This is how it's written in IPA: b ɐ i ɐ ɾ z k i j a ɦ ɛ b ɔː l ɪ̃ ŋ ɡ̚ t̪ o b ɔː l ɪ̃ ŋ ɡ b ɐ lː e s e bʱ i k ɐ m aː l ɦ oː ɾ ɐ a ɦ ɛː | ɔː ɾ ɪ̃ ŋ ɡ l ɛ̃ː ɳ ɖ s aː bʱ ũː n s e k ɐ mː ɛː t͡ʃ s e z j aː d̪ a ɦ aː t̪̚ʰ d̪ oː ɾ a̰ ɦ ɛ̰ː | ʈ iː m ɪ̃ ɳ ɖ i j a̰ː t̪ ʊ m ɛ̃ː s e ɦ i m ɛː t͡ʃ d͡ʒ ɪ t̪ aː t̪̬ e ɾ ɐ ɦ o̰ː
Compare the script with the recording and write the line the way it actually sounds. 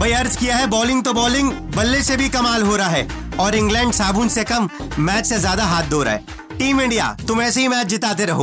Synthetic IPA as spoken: b ɐ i ɐ ɾ z k i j a ɦ ɛ b ɔː l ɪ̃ ŋ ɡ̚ t̪ o b ɔː l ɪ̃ ŋ ɡ b ɐ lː e s e bʱ i k ɐ m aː l ɦ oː ɾ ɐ a ɦ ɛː | ɔː ɾ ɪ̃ ŋ ɡ l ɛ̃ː ɳ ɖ s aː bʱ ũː n s e k ɐ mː ɛː t͡ʃ s e z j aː d̪ a ɦ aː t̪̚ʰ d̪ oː ɾ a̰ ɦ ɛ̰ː | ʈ iː m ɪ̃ ɳ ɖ i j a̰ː t̪ ʊ m ɛː s e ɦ i m ɛː t͡ʃ d͡ʒ ɪ t̪ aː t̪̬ e ɾ ɐ ɦ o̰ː